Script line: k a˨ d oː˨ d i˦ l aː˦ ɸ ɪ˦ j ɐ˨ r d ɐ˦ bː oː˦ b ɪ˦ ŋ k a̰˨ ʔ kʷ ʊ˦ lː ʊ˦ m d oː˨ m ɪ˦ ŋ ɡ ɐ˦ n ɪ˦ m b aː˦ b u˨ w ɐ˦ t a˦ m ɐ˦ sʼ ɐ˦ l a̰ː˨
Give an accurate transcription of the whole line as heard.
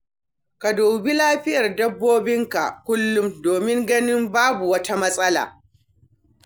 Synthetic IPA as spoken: k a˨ d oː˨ b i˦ l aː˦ ɸ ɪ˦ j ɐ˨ r d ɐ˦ bː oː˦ b ɪ˦ ŋ k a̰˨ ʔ kʷ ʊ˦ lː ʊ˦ m d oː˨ m ɪ˦ ŋ ɡ ɐ˦ n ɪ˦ m b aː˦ b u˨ w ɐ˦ t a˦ m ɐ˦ sʼ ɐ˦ l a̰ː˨